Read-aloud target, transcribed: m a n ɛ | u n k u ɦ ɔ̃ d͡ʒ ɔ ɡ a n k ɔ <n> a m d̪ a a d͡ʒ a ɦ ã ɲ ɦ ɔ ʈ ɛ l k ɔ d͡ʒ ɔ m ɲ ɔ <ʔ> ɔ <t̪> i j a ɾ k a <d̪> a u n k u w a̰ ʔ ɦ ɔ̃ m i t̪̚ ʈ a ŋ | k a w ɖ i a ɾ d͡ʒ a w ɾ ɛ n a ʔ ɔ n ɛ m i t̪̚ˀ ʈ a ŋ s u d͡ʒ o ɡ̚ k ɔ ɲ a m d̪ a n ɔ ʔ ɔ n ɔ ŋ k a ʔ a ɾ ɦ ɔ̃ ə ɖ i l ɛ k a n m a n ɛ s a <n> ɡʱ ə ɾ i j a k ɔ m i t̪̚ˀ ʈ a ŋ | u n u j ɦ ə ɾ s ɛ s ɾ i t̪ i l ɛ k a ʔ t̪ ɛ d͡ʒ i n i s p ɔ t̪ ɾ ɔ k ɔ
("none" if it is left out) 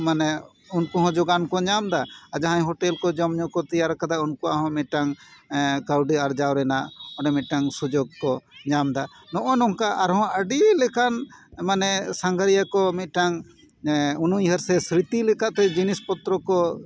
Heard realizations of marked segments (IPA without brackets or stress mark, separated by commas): ɲ, k, t̪, d̪, ŋ